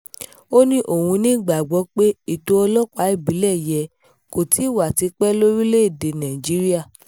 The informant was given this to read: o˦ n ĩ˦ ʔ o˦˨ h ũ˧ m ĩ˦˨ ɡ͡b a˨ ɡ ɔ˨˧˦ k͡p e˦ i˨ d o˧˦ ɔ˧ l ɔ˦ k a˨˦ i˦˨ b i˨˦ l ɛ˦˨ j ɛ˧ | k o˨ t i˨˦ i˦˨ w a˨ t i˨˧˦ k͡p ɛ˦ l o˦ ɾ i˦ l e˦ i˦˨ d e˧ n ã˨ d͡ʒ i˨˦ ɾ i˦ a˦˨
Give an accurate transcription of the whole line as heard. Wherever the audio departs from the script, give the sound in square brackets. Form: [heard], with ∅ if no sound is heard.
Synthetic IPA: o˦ n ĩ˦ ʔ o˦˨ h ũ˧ [n] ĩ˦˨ ɡ͡b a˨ [ɡ͡b] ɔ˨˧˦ k͡p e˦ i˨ [t] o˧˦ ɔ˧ l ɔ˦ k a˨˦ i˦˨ b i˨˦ l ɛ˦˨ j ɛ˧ | k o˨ t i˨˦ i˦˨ w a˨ t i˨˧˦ k͡p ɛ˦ l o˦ ɾ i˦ l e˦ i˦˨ d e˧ n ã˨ d͡ʒ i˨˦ ɾ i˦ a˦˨